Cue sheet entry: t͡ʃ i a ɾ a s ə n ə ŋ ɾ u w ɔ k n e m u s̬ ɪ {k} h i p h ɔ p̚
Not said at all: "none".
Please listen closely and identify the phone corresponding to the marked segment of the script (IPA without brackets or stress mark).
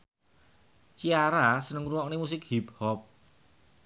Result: k